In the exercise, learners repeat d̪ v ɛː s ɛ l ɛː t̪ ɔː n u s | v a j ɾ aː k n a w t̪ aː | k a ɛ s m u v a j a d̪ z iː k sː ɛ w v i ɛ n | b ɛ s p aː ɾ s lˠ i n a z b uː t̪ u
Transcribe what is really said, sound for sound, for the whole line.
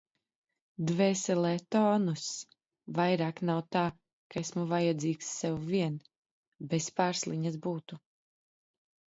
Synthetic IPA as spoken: d̪ v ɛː s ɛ l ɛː t̪ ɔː n u s | v a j ɾ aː k n a w t̪ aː | k a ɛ s m u v a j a d̪ z iː k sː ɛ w v i ɛ n | b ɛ s p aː ɾ s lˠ i ɲ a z b uː t̪ u